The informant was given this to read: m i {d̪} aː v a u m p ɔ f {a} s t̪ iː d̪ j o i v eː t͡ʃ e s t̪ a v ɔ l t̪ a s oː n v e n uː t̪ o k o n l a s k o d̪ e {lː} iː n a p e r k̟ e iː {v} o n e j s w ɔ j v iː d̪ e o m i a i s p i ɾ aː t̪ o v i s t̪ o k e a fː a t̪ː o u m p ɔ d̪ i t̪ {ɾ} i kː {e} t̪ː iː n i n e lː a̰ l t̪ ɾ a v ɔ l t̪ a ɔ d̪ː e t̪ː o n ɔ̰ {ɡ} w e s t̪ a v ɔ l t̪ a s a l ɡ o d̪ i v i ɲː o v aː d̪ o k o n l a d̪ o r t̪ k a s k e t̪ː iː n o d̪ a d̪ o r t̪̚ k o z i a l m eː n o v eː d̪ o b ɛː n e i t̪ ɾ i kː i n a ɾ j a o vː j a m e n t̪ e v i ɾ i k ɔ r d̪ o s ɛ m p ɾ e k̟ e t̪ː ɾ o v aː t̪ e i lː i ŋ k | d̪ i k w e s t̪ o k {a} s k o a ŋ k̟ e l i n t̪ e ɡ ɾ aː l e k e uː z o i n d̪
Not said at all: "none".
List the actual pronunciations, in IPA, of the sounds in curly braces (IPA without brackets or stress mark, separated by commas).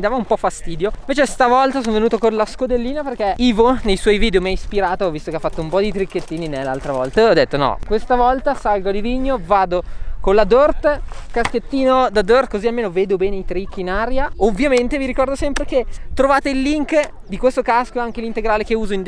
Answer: d̪, a, lː, v, ɾ, e, k, a